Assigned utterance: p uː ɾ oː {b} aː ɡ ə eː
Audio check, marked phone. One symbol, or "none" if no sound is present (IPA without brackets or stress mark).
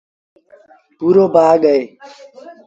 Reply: b